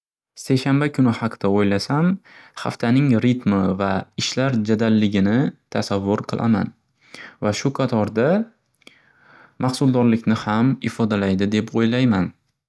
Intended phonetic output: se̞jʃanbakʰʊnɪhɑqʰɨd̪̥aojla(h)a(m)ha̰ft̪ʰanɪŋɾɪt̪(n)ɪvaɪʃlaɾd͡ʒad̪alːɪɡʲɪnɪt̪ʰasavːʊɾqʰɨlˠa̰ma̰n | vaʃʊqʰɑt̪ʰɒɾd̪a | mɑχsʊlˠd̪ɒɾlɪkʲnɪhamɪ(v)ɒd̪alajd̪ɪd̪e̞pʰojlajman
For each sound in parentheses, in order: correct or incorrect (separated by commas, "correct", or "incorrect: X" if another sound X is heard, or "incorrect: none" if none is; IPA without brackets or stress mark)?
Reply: incorrect: s, correct, incorrect: m, incorrect: f